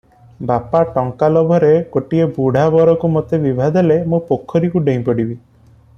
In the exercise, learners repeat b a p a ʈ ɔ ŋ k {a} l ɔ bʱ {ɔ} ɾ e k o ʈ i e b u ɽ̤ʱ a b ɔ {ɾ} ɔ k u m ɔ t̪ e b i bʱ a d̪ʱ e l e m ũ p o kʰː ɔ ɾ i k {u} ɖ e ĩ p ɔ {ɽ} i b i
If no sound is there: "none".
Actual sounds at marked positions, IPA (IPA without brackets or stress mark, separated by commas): a, ɔ, ɾ, u, ɽ